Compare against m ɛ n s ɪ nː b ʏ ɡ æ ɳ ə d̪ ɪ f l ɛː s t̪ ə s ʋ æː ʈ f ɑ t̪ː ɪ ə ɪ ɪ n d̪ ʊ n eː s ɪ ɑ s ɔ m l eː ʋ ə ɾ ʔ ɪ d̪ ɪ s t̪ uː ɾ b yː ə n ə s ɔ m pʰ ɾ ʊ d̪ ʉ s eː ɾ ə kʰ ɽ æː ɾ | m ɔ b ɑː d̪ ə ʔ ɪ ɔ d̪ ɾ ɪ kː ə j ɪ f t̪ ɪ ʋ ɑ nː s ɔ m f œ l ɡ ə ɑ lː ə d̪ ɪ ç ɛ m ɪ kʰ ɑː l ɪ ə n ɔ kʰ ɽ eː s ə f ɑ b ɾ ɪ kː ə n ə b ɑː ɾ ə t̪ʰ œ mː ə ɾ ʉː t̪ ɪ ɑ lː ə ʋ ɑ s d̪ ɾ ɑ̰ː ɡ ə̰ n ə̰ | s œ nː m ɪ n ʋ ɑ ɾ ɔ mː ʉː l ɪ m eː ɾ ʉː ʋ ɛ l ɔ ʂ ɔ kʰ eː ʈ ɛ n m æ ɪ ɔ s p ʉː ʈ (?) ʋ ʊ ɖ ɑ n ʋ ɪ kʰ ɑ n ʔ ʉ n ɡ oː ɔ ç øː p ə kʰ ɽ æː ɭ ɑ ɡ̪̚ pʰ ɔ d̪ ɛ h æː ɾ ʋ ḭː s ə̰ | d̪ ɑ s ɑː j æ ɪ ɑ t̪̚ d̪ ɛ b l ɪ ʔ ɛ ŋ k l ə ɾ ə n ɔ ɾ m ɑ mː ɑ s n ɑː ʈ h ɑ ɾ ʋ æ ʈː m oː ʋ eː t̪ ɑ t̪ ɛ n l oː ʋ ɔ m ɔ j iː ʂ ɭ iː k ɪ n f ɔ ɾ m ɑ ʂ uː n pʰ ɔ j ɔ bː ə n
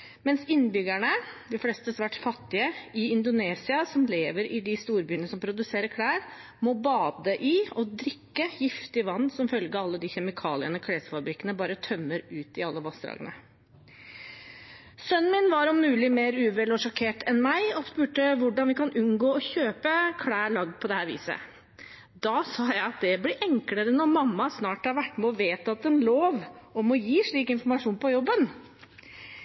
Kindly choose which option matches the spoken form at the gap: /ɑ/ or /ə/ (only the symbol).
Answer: ə